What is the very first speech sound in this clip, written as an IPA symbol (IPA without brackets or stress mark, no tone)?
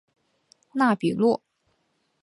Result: n